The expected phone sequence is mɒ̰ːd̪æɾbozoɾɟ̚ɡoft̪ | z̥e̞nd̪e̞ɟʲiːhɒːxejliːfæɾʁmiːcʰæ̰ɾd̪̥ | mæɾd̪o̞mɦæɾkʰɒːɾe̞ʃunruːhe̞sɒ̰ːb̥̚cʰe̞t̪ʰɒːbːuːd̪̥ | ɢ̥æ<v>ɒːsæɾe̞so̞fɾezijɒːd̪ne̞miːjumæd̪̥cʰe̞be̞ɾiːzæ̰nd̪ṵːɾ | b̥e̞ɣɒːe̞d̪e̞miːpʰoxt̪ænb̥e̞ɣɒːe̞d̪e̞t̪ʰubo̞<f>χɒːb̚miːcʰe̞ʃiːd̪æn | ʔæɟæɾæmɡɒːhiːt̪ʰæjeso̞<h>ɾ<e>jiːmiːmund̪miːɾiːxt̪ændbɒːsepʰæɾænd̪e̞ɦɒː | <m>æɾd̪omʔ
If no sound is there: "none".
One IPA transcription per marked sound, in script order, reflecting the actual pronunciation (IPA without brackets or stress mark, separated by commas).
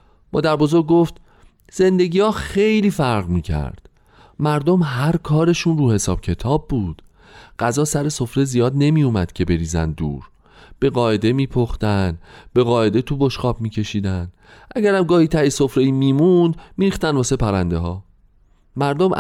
z, ʃ, f, e, m